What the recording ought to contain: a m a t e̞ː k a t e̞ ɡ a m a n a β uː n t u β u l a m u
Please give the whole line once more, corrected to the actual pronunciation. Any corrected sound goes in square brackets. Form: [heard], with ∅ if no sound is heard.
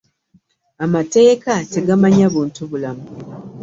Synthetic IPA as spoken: a m a t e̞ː k a t e̞ ɡ a m a [ɲ] a β uː n t u β u l a m u